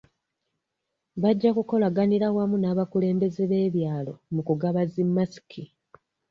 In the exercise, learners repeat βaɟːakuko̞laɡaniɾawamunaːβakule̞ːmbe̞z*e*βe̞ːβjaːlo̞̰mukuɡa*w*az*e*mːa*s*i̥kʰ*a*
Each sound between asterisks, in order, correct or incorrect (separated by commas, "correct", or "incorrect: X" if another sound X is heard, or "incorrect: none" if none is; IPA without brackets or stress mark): correct, incorrect: β, incorrect: i, correct, incorrect: i